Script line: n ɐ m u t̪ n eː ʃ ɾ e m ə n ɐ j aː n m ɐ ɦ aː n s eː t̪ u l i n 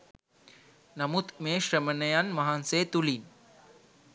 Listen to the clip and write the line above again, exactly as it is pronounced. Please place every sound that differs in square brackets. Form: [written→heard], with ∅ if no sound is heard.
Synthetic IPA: n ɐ m u t̪ [n→m] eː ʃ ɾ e m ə n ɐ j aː n m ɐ ɦ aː n s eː t̪ u l i n